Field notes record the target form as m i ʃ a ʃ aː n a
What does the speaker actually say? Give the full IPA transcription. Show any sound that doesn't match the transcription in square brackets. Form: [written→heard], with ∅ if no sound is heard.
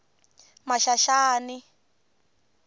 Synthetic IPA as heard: m [i→a] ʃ a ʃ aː n [a→i]